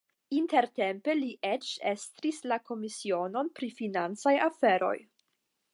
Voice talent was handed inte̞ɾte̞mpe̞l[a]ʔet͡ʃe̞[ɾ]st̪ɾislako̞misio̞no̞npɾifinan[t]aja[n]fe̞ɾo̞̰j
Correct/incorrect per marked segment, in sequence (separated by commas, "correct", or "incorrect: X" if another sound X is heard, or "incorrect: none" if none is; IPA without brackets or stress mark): incorrect: i, incorrect: none, incorrect: t͡s, incorrect: none